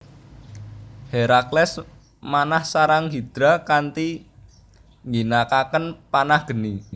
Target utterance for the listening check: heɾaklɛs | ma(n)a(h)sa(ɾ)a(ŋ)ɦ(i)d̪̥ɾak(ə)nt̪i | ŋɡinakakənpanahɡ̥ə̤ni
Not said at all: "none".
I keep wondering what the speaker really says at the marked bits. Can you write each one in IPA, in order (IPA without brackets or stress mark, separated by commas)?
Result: n, h, ɾ, ŋ, i, a